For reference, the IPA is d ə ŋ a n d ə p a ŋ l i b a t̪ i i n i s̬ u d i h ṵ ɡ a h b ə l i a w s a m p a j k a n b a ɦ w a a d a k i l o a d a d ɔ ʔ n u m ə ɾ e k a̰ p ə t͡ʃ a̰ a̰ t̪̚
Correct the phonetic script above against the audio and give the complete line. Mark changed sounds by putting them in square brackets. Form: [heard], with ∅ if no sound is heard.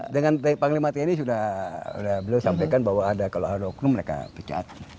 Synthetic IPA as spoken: d ə ŋ a n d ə p a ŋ l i [m] a t̪ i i n i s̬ u d [a] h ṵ [d] a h b ə l i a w s a m p a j k a n b a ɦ w a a d a k [a] l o a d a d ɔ [k] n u m ə ɾ e k a̰ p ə t͡ʃ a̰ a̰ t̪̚

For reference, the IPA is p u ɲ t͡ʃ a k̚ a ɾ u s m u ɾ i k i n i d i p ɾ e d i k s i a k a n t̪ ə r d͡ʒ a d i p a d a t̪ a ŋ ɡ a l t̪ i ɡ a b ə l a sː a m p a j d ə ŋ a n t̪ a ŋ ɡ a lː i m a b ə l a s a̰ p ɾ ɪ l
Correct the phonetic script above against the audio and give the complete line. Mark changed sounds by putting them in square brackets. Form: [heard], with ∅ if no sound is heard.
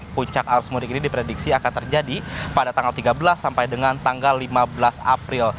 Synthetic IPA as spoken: p u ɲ t͡ʃ a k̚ a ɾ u s m u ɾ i k i n i d i p ɾ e d i k s i a k a n t̪ ə r d͡ʒ a d i p a d a t̪ a ŋ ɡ a l t̪ i ɡ a b ə l a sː a m p a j d ə ŋ a n t̪ a ŋ ɡ a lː i m a b ə l a s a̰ p ɾ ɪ l

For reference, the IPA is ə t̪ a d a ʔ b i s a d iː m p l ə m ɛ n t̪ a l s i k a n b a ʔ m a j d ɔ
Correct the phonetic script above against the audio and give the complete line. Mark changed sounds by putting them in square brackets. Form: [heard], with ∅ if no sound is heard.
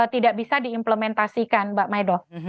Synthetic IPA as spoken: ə t̪ [i] d a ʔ b i s a d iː m p l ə m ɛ n t̪ a [∅] s i k a n b a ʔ m a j d ɔ

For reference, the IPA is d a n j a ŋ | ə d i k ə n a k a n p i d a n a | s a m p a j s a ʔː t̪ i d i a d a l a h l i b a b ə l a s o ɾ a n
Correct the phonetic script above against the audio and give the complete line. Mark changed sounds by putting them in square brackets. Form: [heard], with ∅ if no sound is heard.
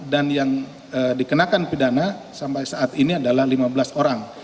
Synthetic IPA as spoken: d a n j a ŋ | ə d i k ə n a k a n p i d a n a | s a m p a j s a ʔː t̪ i [n] i a d a l a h l i [m] a b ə l a s o ɾ a [ŋ]

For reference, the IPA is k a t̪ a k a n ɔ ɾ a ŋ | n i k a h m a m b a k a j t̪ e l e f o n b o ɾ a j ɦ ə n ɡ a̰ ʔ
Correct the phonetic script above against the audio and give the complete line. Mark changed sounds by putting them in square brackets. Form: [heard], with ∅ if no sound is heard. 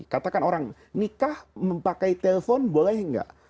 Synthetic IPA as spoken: k a t̪ a k a n [o] ɾ a ŋ | n i k a h m [ə] m [p] a k a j t̪ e l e f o n b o [l] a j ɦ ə [ŋ] ɡ a̰ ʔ

